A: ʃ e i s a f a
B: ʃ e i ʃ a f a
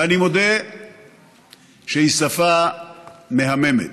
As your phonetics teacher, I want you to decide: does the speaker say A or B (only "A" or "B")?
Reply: A